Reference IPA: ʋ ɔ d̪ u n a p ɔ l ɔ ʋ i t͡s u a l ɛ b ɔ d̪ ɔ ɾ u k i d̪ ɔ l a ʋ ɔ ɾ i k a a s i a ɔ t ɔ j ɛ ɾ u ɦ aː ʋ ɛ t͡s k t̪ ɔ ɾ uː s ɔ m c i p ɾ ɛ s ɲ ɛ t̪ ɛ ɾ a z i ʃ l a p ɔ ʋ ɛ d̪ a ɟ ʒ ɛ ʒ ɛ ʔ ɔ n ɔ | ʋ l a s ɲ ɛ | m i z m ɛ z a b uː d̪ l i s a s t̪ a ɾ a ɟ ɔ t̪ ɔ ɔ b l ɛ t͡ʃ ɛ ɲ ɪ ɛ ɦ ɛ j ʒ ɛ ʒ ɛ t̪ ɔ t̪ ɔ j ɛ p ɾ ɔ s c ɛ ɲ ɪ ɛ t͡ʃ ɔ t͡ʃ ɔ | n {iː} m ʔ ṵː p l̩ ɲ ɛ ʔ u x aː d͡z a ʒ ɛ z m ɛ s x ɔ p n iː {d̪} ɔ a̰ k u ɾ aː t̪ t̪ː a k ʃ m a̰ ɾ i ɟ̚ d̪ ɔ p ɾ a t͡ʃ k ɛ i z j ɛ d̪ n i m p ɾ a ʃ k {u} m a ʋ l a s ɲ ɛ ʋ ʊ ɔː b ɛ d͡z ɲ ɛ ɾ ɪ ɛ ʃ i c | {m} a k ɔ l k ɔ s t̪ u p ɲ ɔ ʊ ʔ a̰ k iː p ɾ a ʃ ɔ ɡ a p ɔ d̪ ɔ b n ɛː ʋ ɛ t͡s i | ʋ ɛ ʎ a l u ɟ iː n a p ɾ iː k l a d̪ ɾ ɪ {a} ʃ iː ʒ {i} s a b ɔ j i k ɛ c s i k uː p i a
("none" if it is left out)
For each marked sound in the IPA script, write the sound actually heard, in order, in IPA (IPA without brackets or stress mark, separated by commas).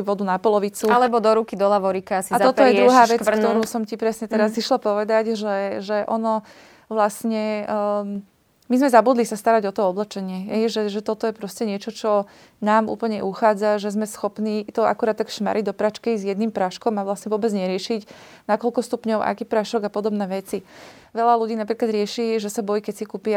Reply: aː, t̪, ɔ, n, ɛ, ɛ